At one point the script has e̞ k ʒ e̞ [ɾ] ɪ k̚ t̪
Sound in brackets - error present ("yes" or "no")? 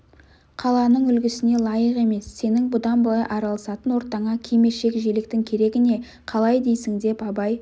yes